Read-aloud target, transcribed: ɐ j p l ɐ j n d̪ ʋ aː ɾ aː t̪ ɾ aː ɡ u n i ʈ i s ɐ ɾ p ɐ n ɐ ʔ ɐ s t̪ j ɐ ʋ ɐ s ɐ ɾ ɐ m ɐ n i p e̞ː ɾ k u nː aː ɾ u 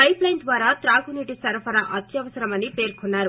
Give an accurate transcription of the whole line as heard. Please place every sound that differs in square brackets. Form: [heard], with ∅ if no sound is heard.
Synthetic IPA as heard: ɐ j p l ɐ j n d̪ ʋ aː ɾ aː t̪ ɾ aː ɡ u n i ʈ i s ɐ ɾ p ɐ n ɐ ʔ ɐ [∅] t̪ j ɐ ʋ ɐ s ɐ ɾ ɐ m ɐ n i p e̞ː ɾ k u nː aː ɾ u

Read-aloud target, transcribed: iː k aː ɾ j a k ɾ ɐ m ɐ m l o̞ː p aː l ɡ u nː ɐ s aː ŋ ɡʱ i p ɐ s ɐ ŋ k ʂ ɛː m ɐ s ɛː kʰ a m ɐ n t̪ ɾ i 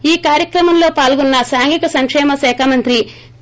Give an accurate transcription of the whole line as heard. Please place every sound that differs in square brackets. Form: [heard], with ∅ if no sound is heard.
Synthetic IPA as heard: iː k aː ɾ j [ɐ] k ɾ ɐ m ɐ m l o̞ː p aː l ɡ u nː ɐ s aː ŋ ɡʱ i [k] ɐ s ɐ ŋ k ʂ ɛː m ɐ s ɛː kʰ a m ɐ n t̪ ɾ i

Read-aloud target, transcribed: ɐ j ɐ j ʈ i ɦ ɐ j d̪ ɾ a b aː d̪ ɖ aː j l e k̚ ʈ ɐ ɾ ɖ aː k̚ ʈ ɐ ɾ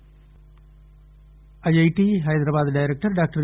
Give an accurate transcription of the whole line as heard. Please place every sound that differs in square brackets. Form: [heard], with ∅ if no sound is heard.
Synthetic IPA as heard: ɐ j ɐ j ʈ i ɦ ɐ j d̪ ɾ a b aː d̪ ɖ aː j [ɾ] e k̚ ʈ ɐ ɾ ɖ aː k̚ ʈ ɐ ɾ

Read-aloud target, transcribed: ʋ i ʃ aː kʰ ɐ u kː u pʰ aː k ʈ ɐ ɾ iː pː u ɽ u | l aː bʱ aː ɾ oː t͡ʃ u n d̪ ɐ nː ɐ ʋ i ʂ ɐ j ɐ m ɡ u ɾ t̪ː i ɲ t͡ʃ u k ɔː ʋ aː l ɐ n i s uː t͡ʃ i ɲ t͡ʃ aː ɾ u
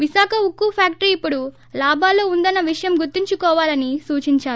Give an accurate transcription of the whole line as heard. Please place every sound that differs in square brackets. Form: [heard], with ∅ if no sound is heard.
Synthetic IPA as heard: ʋ i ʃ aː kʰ ɐ u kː u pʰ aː k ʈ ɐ ɾ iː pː u ɽ u | l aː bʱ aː [l] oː [∅] u n d̪ ɐ nː ɐ ʋ i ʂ ɐ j ɐ m ɡ u ɾ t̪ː i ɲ t͡ʃ u k ɔː ʋ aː l ɐ n i s uː t͡ʃ i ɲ t͡ʃ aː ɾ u

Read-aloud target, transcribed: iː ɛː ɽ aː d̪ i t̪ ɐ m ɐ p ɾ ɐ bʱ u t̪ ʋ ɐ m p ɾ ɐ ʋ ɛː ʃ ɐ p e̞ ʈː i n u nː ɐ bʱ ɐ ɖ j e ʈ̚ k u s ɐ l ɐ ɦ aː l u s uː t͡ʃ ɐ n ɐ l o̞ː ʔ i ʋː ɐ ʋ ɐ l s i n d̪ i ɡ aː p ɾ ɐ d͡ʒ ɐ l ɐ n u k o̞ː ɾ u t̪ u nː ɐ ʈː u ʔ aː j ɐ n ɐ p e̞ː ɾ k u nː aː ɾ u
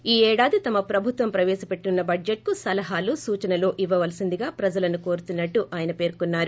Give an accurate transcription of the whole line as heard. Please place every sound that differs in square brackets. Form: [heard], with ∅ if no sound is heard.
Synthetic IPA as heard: iː ɛː ɽ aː d̪ i t̪ ɐ m ɐ p ɾ ɐ bʱ u t̪ ʋ ɐ m p ɾ ɐ ʋ ɛː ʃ ɐ p e̞ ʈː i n u nː ɐ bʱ ɐ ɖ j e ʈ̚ k u s ɐ l ɐ ɦ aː l u s uː t͡ʃ ɐ n ɐ l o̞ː ʔ i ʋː ɐ ʋ ɐ l s i n d̪ i ɡ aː p ɾ ɐ d͡ʒ ɐ l ɐ n u k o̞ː ɾ u t̪ u nː ɐ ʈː u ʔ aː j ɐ n ɐ p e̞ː ɾ k u nː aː ɾ u

